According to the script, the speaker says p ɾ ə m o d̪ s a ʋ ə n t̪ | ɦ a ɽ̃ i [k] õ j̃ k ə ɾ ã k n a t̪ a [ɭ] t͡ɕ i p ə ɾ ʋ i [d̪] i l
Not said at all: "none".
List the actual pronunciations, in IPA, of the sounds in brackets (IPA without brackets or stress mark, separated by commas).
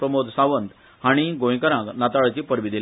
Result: ɡ, ɭ, d̪